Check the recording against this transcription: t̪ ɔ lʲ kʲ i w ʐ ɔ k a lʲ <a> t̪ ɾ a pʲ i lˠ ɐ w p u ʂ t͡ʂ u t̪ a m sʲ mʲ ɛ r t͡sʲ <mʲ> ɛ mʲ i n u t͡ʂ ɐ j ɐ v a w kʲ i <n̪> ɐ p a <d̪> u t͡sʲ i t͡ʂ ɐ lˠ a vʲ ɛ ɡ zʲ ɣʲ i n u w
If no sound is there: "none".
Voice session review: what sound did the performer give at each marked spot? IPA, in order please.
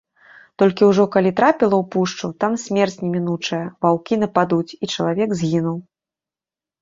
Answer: i, nʲ, n̪, d̪

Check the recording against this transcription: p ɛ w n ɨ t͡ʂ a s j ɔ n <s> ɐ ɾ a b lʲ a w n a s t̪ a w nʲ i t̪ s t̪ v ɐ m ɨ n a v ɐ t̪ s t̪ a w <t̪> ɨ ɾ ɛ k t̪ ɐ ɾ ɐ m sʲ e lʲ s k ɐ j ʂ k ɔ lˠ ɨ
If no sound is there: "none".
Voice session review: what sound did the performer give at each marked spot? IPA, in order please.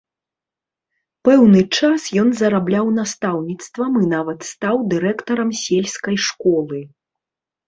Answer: z, d̪

